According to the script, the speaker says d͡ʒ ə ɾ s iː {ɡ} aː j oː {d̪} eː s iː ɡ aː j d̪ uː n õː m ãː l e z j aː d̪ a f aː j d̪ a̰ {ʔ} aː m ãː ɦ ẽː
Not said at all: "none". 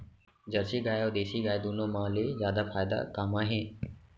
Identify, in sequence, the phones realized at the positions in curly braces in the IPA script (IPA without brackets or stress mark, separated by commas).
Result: ɡ, d̪, k